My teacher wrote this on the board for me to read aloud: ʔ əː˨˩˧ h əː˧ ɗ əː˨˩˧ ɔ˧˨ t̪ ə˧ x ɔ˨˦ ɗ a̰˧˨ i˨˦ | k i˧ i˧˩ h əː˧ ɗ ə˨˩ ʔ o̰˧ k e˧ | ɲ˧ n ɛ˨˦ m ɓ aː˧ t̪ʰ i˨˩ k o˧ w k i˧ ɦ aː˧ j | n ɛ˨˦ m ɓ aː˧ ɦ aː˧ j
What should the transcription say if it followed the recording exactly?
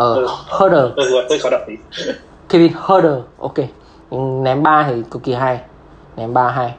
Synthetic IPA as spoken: ʔ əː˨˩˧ h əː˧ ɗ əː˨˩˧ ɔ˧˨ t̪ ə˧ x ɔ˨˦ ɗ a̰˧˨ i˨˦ | k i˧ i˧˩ h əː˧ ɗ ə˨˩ ʔ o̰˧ k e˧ | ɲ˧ n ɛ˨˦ m ɓ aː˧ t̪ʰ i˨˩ k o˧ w k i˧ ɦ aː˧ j | n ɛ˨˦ m ɓ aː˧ ɦ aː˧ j